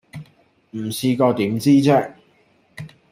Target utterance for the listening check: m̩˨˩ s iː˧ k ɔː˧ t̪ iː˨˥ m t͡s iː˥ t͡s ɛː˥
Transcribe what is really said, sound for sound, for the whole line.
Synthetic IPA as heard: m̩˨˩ s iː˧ k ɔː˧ t̪ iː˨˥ m t͡s iː˥ t͡s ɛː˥